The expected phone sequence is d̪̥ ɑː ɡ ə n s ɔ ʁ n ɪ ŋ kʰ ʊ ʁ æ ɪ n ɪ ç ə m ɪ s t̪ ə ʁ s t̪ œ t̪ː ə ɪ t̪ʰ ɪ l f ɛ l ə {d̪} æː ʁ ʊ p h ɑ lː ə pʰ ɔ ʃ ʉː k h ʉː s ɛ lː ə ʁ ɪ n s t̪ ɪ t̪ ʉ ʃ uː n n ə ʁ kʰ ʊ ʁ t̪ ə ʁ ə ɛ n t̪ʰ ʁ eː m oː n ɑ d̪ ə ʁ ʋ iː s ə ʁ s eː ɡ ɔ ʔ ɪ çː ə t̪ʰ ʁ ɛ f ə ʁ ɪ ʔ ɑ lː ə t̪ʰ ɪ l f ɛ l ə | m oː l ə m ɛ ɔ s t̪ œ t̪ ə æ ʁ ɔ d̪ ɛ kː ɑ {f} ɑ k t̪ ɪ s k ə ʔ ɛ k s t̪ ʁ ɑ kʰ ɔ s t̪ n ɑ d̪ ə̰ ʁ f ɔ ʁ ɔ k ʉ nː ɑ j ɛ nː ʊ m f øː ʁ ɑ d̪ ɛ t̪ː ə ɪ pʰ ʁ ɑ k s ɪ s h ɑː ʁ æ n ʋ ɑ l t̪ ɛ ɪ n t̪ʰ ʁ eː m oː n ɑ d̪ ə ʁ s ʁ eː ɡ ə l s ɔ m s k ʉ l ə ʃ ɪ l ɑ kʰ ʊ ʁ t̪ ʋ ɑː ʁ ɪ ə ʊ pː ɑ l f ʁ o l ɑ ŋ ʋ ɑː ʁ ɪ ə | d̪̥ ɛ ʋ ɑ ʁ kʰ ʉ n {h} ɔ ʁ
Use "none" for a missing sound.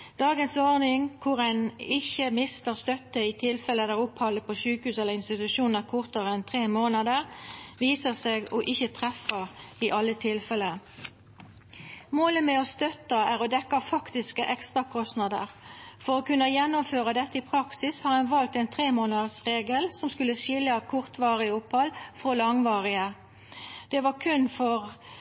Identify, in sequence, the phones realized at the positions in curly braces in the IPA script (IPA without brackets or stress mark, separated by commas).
d̪, f, f